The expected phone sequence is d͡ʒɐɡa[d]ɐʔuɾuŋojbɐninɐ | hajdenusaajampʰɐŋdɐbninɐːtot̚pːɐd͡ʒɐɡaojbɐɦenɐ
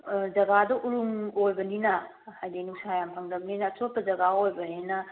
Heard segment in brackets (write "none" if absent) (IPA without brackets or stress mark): d